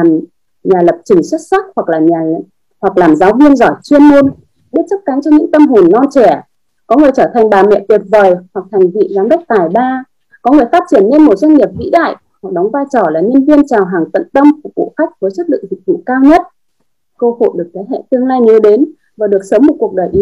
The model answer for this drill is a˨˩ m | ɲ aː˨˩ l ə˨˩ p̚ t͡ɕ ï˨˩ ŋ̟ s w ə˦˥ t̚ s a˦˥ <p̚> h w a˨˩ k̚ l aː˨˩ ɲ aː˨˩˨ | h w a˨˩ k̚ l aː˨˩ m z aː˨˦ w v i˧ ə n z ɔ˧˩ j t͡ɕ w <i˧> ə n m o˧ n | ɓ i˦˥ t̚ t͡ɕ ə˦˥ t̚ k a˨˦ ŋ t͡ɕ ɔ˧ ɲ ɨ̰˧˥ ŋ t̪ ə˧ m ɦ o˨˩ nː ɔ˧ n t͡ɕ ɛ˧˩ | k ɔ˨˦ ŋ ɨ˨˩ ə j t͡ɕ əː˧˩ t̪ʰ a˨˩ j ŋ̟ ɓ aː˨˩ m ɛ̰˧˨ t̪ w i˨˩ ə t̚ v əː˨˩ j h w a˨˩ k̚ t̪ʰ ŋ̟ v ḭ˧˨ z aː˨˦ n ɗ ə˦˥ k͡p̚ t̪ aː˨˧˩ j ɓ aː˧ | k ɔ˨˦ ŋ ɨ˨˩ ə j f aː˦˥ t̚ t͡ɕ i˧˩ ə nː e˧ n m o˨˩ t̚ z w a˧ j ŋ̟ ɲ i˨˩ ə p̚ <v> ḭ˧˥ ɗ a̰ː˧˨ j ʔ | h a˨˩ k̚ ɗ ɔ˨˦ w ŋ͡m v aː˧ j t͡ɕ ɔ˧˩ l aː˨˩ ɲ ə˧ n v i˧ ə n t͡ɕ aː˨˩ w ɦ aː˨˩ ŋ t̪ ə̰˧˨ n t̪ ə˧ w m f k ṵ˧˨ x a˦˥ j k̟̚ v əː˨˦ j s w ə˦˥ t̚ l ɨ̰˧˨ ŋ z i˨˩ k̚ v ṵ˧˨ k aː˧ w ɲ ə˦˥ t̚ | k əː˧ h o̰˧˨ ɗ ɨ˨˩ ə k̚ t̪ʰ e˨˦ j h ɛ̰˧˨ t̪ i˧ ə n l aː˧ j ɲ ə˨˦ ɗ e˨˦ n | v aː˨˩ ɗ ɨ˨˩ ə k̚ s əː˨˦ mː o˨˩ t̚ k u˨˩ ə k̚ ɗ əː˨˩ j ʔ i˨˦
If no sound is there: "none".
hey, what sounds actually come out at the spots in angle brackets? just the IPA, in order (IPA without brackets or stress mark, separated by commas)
k̚, i˧, v